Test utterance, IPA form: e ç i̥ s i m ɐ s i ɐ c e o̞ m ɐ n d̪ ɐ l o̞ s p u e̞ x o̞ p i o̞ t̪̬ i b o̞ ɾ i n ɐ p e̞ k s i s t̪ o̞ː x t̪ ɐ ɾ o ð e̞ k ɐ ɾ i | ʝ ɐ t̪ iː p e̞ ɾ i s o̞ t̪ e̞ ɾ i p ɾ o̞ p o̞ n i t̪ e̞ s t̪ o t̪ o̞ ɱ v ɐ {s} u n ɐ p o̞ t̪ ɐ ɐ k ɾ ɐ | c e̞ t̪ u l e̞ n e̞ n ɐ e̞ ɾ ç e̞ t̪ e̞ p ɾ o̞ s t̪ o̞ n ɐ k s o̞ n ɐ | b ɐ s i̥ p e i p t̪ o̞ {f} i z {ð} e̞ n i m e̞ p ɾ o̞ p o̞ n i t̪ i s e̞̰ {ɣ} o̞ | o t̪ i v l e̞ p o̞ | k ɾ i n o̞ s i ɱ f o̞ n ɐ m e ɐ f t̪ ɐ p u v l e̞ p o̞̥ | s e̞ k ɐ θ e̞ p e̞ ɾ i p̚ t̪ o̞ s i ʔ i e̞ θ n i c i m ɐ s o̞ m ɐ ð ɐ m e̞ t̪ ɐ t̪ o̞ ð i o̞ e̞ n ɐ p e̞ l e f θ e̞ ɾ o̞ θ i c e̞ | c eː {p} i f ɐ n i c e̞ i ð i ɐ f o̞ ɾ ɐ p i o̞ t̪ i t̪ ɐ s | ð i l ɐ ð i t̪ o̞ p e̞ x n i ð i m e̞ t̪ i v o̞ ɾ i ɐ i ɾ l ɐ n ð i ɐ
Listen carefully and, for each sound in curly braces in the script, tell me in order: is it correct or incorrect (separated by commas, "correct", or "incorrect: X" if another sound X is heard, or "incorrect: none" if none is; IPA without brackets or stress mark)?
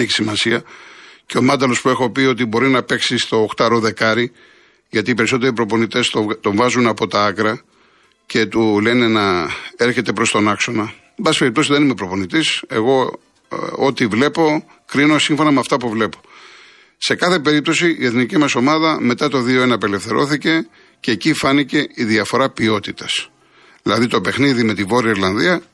incorrect: z, incorrect: s, correct, correct, incorrect: c